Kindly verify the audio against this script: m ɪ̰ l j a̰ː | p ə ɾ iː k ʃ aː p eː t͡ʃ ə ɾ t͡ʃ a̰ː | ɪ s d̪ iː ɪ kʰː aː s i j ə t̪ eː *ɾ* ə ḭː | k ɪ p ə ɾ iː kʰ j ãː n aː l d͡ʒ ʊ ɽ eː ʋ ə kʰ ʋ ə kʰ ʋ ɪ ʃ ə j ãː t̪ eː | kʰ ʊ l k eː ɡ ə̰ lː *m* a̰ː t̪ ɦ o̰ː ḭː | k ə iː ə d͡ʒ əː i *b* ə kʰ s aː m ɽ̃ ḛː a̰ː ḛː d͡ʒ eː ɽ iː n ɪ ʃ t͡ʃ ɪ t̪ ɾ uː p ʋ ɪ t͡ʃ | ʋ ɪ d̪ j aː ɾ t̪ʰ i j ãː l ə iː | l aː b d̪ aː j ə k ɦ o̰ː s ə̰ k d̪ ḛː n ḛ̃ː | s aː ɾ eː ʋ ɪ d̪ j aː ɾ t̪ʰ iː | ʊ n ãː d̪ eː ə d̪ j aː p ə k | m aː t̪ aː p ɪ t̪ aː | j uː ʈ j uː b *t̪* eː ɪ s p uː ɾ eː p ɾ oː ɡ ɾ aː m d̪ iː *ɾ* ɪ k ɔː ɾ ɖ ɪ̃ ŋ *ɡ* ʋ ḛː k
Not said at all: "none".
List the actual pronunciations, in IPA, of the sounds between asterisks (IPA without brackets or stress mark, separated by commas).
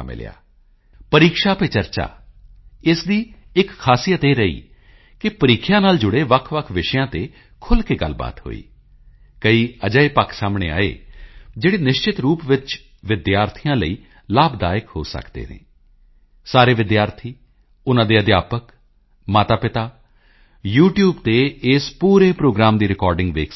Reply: ɾ, b, p, t̪, ɾ, ɡ